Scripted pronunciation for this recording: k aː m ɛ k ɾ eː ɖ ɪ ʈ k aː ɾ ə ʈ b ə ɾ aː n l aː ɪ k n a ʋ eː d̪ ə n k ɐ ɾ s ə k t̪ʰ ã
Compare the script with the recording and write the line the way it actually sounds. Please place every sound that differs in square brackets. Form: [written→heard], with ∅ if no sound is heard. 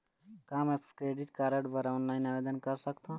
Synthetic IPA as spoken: k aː m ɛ k ɾ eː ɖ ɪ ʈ k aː ɾ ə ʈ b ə ɾ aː n l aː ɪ [k→∅] n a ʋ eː d̪ ə n k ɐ ɾ s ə k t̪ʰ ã